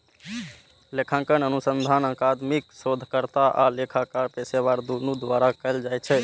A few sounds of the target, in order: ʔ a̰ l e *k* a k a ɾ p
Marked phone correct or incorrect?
incorrect